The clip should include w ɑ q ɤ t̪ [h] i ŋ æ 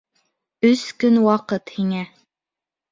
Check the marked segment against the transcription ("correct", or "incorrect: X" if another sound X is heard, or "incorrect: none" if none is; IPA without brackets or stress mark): correct